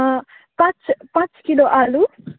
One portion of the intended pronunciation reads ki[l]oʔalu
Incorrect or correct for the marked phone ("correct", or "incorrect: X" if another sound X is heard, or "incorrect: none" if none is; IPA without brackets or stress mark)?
correct